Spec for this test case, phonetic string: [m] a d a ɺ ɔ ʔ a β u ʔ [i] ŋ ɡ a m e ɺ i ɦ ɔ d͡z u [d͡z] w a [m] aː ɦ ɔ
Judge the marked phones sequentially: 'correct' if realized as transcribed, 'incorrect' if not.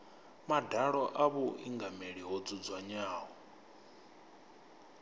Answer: correct, correct, correct, incorrect

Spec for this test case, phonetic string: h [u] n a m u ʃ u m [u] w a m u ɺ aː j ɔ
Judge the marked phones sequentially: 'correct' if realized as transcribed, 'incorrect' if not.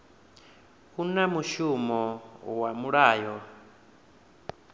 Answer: correct, incorrect

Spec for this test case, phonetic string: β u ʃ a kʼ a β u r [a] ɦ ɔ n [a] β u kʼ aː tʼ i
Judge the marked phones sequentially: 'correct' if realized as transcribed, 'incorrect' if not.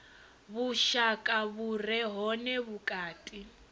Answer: incorrect, incorrect

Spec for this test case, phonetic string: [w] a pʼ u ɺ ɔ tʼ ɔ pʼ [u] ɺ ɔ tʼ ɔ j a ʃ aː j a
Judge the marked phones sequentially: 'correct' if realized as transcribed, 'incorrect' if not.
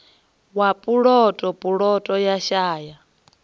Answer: correct, correct

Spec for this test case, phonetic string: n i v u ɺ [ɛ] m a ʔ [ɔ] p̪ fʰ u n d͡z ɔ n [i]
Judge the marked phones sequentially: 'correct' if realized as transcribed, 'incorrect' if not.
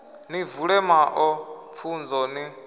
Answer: correct, correct, correct

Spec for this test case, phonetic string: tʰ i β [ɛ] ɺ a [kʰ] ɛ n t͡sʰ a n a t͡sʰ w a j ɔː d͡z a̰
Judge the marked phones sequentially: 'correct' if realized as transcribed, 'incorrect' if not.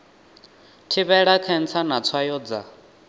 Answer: correct, correct

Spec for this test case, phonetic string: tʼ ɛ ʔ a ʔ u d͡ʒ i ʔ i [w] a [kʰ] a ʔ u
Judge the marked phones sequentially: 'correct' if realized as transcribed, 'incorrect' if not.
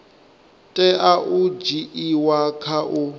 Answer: correct, correct

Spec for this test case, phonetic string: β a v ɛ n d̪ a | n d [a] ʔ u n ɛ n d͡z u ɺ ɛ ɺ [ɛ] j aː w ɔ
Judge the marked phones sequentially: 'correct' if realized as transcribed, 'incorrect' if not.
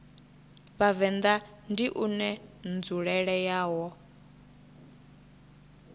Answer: incorrect, correct

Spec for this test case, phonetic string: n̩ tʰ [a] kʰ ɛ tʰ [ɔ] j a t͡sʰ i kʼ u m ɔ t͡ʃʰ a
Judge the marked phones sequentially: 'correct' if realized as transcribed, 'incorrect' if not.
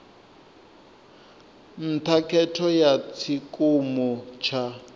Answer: correct, correct

